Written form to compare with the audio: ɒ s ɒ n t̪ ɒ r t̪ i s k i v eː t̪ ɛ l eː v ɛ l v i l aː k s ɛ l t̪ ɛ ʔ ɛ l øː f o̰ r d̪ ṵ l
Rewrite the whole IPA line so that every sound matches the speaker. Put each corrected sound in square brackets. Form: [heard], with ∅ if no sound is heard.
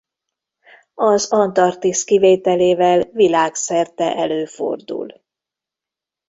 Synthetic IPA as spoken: ɒ [z] ɒ n t̪ ɒ r t̪ i s k i v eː t̪ ɛ l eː v ɛ l v i l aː k s ɛ [r] t̪ ɛ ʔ ɛ l øː f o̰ r d̪ ṵ l